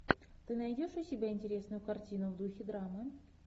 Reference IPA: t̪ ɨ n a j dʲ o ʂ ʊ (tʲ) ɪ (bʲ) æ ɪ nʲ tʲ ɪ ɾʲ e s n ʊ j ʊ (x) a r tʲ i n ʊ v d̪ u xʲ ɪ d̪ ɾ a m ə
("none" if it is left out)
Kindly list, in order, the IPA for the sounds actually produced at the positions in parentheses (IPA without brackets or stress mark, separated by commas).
sʲ, bʲ, k